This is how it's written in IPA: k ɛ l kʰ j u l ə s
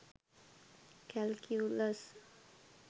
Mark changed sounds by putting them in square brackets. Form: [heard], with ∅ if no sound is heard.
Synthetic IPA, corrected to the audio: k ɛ l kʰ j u l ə s